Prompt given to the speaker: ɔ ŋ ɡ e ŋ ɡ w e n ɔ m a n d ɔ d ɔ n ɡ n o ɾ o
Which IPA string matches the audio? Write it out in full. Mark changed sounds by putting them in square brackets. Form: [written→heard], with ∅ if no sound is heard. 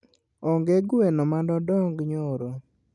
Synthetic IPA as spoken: ɔ ŋ ɡ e [ŋ→∅] ɡ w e n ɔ m a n d ɔ d ɔ [n→ŋ] ɡ [n→ɲ] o ɾ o